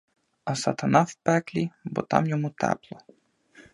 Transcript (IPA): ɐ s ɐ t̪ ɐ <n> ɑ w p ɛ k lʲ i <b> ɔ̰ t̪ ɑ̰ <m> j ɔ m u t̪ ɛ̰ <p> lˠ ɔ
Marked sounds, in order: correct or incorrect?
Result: correct, correct, correct, correct

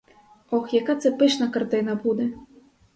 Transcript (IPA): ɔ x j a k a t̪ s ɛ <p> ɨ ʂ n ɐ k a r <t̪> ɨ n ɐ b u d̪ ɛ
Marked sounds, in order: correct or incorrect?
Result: correct, correct

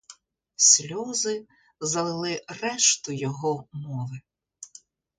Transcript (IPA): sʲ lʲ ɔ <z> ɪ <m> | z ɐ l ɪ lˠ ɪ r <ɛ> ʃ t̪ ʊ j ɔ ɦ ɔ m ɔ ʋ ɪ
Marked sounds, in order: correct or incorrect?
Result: correct, incorrect, correct

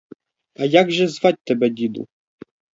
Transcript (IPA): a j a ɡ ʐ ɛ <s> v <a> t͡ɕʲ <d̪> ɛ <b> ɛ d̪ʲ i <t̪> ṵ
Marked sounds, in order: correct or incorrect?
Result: incorrect, correct, incorrect, correct, incorrect

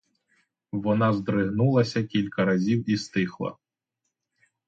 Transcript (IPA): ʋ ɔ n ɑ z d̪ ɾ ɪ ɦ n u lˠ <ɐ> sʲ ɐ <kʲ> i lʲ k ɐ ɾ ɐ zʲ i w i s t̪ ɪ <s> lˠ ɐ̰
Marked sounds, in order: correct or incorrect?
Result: correct, correct, incorrect

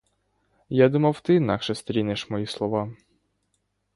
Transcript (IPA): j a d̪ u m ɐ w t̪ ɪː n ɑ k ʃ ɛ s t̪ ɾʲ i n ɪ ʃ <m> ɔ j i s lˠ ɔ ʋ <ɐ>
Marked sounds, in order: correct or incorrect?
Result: correct, incorrect

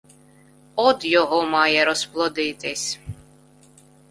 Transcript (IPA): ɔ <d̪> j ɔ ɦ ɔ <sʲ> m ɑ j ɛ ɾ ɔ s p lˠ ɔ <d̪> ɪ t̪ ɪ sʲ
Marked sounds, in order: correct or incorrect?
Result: correct, incorrect, correct

